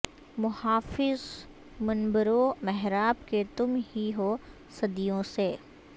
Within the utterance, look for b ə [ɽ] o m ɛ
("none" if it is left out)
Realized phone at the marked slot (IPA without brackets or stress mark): ɾ